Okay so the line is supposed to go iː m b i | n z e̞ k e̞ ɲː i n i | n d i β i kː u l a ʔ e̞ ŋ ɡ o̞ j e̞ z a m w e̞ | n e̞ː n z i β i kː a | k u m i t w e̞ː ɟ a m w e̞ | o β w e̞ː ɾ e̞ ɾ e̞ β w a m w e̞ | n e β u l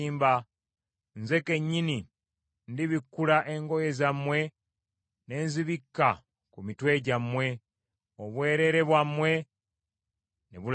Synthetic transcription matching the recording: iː m b a | n z e̞ k e̞ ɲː i n i | n d i β i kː u l a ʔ e̞ ŋ ɡ o̞ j e̞ z a m w e̞ | n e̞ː n z i β i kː a | k u m i t w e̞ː ɟ a m w e̞ | o β w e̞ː ɾ e̞ ɾ e̞ β w a m w e̞ | n e β u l